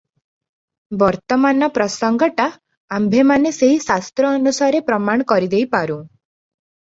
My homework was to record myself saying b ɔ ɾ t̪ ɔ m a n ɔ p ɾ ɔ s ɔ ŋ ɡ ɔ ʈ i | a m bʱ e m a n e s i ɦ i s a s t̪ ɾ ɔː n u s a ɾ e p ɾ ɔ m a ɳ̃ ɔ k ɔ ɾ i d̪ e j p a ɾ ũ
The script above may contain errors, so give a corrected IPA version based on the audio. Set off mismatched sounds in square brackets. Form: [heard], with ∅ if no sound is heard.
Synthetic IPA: b ɔ ɾ t̪ ɔ m a n ɔ p ɾ ɔ s ɔ ŋ ɡ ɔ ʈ [a] | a m bʱ e m a n e s [e] ɦ i s a s t̪ ɾ ɔː n u s a ɾ e p ɾ ɔ m a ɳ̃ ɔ k ɔ ɾ i d̪ e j p a ɾ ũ

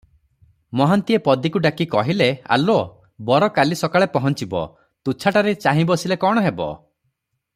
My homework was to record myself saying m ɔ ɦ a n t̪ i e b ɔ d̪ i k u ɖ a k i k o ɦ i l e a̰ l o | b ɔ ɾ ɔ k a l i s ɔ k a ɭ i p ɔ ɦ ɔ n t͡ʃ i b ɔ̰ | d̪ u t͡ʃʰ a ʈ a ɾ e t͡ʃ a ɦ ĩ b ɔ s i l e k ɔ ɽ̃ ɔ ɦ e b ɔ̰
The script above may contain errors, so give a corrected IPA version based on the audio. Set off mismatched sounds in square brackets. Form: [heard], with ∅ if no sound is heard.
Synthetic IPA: m ɔ ɦ a n t̪ i e [p] ɔ d̪ i k u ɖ a k i k [ɔ] ɦ i l e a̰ l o | b ɔ ɾ ɔ k a l i s ɔ k a ɭ [e] p ɔ ɦ ɔ n t͡ʃ i b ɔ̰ | [t̪] u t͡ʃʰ a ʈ a ɾ e t͡ʃ a ɦ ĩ b ɔ s i l e k ɔ ɽ̃ ɔ ɦ e b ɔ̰

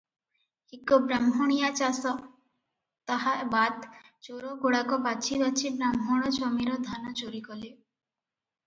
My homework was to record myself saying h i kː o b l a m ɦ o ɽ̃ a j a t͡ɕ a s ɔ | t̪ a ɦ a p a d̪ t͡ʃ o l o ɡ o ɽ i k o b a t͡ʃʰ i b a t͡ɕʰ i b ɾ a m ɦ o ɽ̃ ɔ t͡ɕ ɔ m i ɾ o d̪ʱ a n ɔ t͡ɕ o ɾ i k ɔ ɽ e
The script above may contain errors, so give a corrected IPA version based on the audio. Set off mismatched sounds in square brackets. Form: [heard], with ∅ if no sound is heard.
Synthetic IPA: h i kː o b [ɾ] a m ɦ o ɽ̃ [i] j a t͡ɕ a s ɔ | t̪ a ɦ a [b] a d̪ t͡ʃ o [ɾ] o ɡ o ɽ [a] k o b a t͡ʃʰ i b a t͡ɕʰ i b ɾ a m ɦ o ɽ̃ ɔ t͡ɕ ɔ m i ɾ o d̪ʱ a n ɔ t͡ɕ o ɾ i k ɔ [l] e

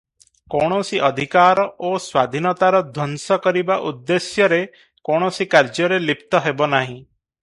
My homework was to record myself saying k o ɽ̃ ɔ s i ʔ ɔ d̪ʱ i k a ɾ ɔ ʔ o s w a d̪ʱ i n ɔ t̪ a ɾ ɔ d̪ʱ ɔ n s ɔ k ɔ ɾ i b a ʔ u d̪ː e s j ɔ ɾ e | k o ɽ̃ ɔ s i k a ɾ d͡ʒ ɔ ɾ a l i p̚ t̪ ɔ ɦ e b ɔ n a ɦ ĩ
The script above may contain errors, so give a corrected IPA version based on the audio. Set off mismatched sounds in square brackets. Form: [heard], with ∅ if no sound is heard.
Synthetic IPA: k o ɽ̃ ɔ s i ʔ ɔ d̪ʱ i k a ɾ ɔ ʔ o s w a d̪ʱ i n ɔ t̪ a ɾ ɔ d̪ʱ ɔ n s ɔ k ɔ ɾ i b a ʔ u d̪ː e s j ɔ ɾ e | k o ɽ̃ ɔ s i k a ɾ d͡ʒ ɔ ɾ [e] l i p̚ t̪ ɔ ɦ e b ɔ n a ɦ ĩ

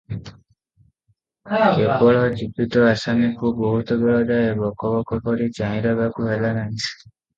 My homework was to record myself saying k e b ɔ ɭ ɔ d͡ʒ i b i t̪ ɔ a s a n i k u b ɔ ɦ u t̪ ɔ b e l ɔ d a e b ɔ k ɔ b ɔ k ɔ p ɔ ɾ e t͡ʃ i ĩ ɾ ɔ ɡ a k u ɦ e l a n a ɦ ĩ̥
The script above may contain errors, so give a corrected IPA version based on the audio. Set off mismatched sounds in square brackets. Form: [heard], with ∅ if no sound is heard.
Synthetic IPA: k e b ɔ ɭ ɔ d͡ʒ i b i t̪ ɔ a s a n i k u b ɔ ɦ u t̪ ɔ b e [ɭ] ɔ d a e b ɔ k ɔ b ɔ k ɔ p ɔ ɾ [i] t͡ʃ [a] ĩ ɾ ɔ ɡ a k u ɦ e l a n a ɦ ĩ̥

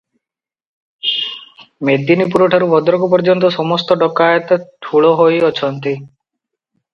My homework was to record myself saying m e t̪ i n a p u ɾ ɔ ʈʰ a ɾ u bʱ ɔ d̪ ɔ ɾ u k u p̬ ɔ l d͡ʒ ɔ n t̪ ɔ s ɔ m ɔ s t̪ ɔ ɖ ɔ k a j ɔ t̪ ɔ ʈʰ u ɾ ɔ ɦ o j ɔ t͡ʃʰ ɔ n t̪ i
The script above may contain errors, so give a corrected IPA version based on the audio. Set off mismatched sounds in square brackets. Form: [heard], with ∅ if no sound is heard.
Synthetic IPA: m e [d̪] i n [i] p u ɾ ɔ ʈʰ a ɾ u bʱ ɔ d̪ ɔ ɾ [ɔ] k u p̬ ɔ [ɾ] d͡ʒ ɔ n t̪ ɔ s ɔ m ɔ s t̪ ɔ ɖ ɔ k a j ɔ t̪ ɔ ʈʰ u [ɭ] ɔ ɦ o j ɔ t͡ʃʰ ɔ n t̪ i

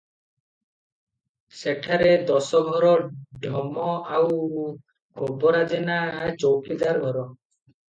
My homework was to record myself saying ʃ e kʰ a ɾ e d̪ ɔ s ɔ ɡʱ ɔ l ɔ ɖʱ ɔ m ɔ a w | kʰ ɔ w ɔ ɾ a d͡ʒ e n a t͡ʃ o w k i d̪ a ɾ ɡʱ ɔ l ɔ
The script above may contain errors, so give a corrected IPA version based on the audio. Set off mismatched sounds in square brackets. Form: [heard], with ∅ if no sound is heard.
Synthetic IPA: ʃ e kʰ a ɾ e d̪ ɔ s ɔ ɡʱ ɔ [ɾ] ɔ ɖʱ ɔ m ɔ a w | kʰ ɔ [b] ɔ ɾ a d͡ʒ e n a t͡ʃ o w k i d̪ a ɾ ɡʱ ɔ [ɾ] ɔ

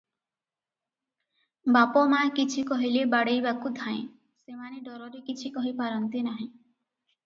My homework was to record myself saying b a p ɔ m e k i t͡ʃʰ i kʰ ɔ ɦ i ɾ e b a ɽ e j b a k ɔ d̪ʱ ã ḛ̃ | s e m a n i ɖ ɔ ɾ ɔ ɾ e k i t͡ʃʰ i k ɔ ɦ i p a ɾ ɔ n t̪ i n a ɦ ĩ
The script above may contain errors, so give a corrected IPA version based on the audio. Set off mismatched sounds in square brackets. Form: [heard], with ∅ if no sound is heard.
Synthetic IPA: b a p ɔ m [a] k i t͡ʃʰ i [k] ɔ ɦ i [l] e b a ɽ e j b a k [u] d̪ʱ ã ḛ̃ | s e m a n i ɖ ɔ ɾ ɔ ɾ e k i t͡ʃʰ i k ɔ ɦ i p a ɾ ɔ n t̪ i n a ɦ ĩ

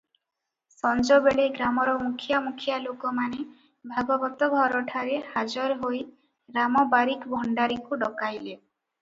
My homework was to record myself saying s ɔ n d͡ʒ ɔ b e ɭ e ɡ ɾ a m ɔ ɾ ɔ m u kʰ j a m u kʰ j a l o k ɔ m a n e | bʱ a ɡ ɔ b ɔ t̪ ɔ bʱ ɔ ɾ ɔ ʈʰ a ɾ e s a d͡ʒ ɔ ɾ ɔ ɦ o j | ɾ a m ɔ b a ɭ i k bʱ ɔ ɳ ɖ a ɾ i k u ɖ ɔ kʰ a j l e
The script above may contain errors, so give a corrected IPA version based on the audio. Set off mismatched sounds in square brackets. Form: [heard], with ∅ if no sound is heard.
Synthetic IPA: s ɔ n d͡ʒ ɔ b e ɭ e ɡ ɾ a m ɔ ɾ ɔ m u kʰ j a m u kʰ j a l o k ɔ m a n e | bʱ a ɡ ɔ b ɔ t̪ ɔ bʱ ɔ ɾ ɔ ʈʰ a ɾ e [h] a d͡ʒ ɔ ɾ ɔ ɦ o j | ɾ a m ɔ b a [ɾ] i k bʱ ɔ ɳ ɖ a ɾ i k u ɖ ɔ [k] a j l e

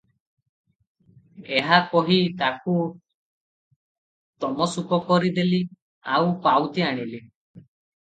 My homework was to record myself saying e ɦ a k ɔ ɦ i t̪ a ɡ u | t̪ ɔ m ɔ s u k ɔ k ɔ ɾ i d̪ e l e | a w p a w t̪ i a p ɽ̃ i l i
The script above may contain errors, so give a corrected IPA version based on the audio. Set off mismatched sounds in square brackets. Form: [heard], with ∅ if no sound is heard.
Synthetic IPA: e ɦ a k ɔ ɦ i t̪ a [k] u | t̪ ɔ m ɔ s u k ɔ k ɔ ɾ i d̪ e l [i] | a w p a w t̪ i a [∅] ɽ̃ i l i

